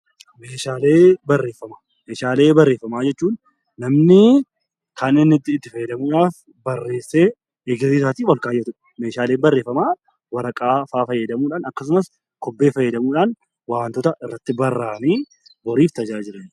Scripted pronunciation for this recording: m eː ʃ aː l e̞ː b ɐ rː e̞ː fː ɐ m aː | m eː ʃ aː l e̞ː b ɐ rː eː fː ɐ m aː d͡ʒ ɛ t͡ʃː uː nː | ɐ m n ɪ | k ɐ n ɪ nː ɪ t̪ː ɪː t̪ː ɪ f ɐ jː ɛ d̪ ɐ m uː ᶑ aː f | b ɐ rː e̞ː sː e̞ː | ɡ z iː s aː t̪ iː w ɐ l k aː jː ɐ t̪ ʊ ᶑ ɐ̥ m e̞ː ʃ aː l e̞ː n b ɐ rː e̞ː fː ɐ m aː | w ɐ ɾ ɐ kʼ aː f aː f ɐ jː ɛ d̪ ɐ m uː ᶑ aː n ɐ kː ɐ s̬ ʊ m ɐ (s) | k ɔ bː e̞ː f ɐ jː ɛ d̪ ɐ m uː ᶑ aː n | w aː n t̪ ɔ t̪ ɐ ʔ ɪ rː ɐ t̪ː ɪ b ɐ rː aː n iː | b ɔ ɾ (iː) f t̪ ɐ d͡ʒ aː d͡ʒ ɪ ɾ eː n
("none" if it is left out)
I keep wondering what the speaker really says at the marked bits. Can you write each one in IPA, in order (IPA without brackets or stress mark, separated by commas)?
s, iː